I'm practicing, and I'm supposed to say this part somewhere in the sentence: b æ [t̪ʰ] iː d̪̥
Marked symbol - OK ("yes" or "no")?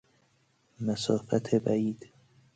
no